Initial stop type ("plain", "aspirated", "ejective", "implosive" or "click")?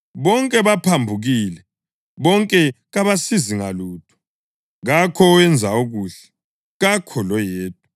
ejective